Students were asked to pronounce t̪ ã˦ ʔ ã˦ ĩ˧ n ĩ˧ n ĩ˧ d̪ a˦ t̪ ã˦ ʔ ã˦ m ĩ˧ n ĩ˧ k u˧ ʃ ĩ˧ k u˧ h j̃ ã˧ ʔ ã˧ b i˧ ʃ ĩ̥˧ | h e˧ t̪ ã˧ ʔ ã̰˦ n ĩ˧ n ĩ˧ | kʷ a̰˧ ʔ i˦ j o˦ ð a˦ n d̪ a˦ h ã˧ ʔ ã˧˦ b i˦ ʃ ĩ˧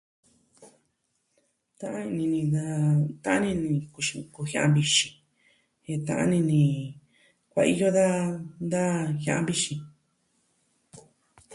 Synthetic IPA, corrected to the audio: t̪ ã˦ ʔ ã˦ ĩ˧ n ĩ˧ n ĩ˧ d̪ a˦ t̪ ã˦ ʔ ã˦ n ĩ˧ n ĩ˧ k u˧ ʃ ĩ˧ k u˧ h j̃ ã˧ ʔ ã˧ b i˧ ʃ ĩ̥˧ | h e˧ t̪ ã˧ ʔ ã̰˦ n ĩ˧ n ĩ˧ | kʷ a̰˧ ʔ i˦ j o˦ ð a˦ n d̪ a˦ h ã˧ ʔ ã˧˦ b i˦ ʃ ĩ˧

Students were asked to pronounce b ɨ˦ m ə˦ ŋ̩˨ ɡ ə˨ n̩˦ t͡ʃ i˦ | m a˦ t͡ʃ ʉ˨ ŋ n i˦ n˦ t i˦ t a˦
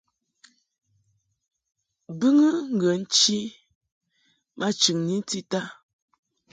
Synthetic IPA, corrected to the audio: b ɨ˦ ŋ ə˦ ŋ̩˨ ɡ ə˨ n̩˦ t͡ʃ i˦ | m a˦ t͡ʃ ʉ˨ ŋ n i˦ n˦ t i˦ t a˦

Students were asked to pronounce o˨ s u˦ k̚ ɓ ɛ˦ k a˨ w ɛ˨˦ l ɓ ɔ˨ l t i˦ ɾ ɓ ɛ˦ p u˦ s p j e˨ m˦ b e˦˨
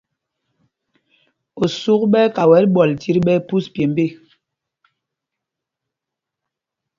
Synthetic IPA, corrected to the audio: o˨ s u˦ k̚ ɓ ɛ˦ k a˨ w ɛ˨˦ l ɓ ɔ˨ l t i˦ ɾ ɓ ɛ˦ p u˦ s p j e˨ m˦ b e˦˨

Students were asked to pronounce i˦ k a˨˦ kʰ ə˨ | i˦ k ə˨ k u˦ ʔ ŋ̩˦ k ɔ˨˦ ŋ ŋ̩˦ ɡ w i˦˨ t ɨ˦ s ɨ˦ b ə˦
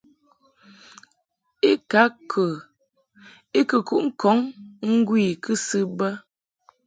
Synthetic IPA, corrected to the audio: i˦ k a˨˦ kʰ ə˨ | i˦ k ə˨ k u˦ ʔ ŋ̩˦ k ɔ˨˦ ŋ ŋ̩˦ ɡ w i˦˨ k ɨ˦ s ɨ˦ b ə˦

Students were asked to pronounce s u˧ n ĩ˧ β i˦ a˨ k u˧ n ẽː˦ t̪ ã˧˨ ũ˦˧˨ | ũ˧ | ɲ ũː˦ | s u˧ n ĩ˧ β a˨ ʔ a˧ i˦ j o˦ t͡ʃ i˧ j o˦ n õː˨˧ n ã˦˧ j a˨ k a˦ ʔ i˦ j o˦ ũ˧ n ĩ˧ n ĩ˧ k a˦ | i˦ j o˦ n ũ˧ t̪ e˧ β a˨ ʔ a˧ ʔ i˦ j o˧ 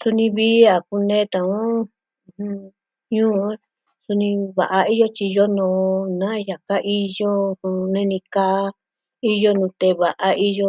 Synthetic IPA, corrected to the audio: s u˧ n ĩ˧ β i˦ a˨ k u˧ n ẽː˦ t̪ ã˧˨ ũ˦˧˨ | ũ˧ | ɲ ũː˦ | s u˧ n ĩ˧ β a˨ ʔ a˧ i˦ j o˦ t͡ʃ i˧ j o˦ n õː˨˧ n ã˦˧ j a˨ k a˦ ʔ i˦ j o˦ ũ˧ n ẽ˧ n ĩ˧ k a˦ | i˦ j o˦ n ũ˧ t̪ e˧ β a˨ ʔ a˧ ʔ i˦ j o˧

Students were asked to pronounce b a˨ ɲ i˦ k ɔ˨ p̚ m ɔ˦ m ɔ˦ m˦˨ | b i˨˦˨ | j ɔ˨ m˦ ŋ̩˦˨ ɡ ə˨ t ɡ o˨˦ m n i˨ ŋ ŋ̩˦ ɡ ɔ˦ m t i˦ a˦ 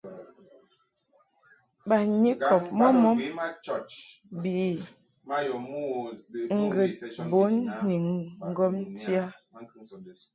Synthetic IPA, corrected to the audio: b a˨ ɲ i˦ k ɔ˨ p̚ m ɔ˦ m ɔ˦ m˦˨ | b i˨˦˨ | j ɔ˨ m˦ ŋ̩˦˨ ɡ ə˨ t b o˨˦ n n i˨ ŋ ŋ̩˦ ɡ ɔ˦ m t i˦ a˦

